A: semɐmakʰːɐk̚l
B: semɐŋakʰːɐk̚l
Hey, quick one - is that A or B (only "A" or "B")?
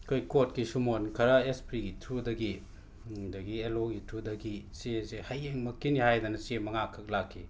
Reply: B